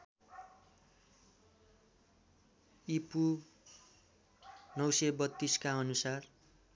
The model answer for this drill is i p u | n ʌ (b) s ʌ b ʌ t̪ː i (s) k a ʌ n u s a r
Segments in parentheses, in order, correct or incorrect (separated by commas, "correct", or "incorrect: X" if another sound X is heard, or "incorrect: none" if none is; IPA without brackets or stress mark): incorrect: w, correct